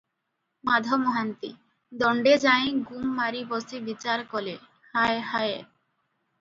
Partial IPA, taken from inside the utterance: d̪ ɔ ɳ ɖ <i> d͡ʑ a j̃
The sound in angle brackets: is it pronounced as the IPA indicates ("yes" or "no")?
no